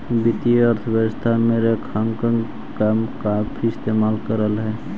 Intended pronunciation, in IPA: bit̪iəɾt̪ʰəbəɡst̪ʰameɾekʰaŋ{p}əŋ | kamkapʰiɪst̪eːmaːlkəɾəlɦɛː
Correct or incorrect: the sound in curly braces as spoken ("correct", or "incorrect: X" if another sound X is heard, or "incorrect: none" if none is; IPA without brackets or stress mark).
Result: incorrect: k